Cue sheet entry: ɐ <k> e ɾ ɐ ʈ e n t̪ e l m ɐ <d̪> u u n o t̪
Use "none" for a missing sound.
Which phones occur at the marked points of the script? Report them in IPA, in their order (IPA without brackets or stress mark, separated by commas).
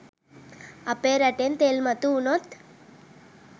p, t̪